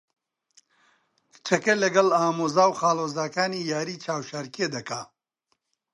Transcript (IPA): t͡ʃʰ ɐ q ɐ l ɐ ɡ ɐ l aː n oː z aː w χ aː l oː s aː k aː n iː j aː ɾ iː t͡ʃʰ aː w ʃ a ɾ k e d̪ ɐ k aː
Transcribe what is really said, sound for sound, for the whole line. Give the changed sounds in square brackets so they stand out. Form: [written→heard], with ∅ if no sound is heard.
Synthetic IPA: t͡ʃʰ ɐ [q→k] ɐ l ɐ ɡ ɐ l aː [n→m] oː z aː w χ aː l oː [s→z] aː k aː n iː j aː ɾ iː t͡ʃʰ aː w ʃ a ɾ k e d̪ ɐ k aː